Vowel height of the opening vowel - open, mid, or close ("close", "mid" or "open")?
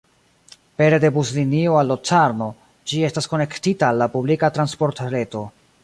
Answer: mid